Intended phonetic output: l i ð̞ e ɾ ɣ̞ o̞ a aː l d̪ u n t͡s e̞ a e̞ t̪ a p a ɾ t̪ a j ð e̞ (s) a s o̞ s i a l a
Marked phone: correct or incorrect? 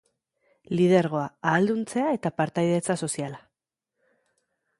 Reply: incorrect: t͡s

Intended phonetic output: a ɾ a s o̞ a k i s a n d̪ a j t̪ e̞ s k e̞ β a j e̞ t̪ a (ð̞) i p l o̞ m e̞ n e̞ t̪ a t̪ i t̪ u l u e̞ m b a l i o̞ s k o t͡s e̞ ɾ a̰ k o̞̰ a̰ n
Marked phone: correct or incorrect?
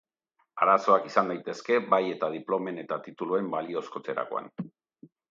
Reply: correct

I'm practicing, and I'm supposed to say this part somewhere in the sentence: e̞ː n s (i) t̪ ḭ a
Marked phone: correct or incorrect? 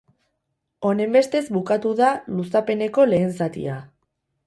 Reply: incorrect: a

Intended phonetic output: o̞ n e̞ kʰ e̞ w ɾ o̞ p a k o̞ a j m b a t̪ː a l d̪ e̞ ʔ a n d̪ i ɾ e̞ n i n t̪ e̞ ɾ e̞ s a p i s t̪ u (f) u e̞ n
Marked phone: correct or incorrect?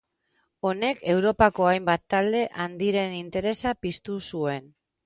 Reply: incorrect: s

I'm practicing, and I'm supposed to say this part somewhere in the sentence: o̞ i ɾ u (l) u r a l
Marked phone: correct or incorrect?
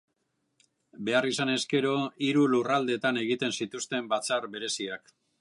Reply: correct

